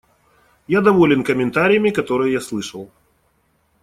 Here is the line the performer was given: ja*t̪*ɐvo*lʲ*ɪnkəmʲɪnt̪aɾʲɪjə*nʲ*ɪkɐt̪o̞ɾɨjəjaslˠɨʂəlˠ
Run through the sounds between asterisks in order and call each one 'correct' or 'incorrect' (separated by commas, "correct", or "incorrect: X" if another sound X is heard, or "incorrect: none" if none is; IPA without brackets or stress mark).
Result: incorrect: d̪, correct, incorrect: mʲ